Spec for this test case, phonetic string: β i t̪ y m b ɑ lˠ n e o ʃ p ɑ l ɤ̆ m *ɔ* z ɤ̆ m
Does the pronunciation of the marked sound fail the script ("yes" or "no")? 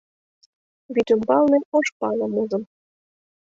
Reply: yes